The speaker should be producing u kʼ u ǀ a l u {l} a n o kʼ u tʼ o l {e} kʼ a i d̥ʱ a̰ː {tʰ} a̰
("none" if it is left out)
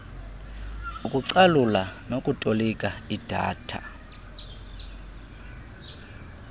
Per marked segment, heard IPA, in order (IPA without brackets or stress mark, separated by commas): l, i, tʰ